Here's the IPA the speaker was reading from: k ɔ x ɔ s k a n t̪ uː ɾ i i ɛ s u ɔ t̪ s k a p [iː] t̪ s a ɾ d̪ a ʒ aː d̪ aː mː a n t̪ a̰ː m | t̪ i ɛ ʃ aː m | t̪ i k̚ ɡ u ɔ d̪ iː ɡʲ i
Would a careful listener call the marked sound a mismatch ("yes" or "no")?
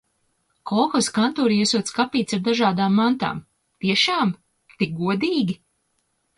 no